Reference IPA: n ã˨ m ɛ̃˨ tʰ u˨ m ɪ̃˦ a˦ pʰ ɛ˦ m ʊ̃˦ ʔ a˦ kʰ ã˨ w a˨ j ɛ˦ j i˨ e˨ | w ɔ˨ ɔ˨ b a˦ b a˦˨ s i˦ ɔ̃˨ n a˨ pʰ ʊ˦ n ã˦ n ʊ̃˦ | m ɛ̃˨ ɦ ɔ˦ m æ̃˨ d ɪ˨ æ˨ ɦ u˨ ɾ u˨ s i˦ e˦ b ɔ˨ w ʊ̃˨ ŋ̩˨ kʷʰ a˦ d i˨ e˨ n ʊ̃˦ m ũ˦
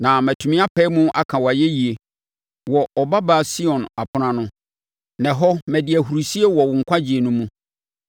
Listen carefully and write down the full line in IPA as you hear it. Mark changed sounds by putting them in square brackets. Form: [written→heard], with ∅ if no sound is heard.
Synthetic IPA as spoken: n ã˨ m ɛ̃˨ tʰ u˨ m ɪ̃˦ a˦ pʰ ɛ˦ m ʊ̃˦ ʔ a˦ kʰ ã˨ w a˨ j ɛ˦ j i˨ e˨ | w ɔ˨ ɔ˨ b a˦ b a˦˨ s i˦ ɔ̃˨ n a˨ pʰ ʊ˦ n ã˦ n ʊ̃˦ | [m→n] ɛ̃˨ ɦ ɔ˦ m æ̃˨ d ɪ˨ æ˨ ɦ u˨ ɾ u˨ s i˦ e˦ [b→w] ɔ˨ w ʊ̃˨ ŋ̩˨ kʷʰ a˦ [d→d͡ʑ] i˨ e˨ n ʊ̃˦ m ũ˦

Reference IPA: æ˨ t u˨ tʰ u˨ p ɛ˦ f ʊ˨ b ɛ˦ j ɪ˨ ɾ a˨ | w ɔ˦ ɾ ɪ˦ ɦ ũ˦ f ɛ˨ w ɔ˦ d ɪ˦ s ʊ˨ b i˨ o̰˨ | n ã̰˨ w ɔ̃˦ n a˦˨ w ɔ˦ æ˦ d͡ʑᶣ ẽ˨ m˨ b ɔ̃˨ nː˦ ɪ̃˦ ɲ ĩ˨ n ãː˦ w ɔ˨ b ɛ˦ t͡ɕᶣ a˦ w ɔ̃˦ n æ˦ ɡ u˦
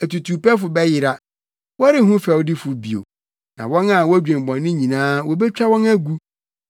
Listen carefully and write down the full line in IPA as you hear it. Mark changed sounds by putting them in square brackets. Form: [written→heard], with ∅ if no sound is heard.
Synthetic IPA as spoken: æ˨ t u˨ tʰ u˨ p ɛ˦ f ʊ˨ b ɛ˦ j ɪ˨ ɾ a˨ | w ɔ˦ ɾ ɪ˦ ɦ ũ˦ f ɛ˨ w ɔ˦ d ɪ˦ [s→f] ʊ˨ b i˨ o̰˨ | n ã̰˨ w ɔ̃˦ n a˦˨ w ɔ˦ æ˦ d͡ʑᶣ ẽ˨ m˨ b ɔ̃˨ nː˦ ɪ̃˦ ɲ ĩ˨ n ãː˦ w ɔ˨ b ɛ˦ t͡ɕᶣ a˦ w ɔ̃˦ n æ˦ ɡ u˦

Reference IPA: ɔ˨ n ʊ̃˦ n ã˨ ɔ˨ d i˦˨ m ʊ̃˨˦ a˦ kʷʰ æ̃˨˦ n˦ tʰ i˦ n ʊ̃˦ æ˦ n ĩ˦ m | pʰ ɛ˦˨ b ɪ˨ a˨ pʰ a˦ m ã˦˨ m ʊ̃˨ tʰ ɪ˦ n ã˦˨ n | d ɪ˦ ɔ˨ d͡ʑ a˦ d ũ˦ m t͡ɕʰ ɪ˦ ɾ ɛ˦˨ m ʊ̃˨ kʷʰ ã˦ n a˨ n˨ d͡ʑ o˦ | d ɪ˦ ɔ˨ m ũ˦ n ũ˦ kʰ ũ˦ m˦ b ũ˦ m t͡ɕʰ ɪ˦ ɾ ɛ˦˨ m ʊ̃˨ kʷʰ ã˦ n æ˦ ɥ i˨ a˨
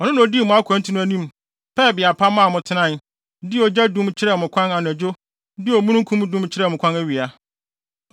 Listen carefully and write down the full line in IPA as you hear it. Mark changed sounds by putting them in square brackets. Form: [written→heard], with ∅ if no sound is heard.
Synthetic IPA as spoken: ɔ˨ n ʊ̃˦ n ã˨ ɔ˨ d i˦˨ m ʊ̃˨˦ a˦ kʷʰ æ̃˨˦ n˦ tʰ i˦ n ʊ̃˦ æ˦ n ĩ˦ m | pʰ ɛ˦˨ b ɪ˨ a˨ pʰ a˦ m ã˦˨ m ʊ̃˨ tʰ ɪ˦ n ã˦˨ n | d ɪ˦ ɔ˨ d͡ʑ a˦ d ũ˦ m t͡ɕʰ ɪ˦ ɾ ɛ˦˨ m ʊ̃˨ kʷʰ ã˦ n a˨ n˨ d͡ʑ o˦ | d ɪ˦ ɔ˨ m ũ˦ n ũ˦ kʰ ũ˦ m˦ [b→d] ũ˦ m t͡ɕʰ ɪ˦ ɾ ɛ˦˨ m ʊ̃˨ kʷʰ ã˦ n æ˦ ɥ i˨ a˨

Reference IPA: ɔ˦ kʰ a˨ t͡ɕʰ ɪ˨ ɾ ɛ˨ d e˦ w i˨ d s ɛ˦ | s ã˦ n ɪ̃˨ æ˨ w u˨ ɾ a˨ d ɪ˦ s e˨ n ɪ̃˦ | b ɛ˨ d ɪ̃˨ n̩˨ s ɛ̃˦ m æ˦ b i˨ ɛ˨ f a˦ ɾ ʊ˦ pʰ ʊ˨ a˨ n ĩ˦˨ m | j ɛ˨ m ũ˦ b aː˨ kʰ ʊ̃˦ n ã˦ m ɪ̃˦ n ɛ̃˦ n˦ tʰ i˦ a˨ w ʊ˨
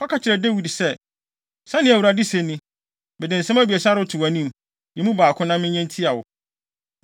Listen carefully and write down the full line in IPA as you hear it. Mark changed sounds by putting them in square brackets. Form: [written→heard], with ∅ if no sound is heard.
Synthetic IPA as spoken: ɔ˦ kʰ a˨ t͡ɕʰ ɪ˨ ɾ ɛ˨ d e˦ w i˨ d s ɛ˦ | s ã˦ n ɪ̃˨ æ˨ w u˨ ɾ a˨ d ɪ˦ s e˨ n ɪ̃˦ | b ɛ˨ d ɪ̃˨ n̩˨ s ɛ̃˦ m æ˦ b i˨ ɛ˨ [f→s] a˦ ɾ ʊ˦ [pʰ→tʰ] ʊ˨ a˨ n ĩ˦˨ m | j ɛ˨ m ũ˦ b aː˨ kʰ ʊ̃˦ n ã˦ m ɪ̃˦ [n→ɲ] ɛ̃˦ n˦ tʰ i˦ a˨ w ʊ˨

